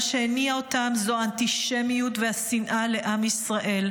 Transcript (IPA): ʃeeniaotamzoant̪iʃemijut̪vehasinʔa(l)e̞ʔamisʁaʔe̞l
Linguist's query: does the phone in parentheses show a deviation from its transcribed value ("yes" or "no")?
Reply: no